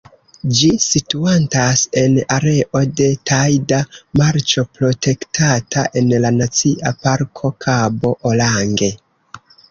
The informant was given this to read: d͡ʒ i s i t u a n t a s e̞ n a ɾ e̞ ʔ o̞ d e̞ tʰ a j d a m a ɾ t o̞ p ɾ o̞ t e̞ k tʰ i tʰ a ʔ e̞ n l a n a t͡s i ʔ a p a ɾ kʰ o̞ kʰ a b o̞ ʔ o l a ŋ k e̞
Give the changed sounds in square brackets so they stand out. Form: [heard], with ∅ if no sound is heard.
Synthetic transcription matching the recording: d͡ʒ i s i t u a n t a s e̞ n a ɾ e̞ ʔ o̞ d e̞ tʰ a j d a m a ɾ [t͡ʃ] o̞ p ɾ o̞ t e̞ k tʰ [a] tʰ a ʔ e̞ n l a n a t͡s i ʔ a p a ɾ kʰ o̞ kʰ a b o̞ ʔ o l a ŋ [ɡ] e̞